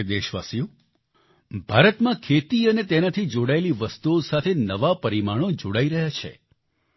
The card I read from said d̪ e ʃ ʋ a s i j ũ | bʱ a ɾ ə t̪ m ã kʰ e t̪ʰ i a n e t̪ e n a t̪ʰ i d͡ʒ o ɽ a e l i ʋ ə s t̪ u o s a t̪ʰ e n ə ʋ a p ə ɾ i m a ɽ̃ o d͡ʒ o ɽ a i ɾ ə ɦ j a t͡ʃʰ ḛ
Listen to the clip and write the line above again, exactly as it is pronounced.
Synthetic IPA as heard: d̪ e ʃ ʋ a s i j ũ | bʱ a ɾ ə t̪ m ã kʰ e t̪ i ə n e t̪ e n a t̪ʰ i d͡ʒ o ɽ a e l i ʋ ə s t̪ u o s a t̪ʰ e n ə ʋ a p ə ɾ i m a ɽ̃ o d͡ʒ o ɽ a i ɾ ə ɦ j a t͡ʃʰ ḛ